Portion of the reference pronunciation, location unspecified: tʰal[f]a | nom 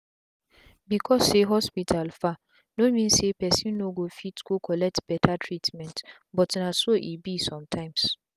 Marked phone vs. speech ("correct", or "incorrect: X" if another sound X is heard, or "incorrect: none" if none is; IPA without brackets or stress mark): correct